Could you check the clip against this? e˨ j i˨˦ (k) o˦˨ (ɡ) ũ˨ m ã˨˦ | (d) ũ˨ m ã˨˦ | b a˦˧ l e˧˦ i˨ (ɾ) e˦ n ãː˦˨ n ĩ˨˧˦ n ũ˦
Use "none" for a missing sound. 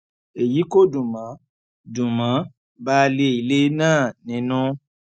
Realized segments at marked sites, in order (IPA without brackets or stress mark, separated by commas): k, d, d, l